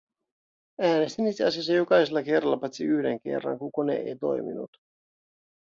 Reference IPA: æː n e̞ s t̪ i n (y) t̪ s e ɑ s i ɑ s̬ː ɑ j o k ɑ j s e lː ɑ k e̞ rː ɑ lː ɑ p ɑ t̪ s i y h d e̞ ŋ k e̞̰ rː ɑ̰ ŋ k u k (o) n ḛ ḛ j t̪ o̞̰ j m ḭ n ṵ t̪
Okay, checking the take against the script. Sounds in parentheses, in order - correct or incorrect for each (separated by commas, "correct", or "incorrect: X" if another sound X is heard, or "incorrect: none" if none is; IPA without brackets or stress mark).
incorrect: i, correct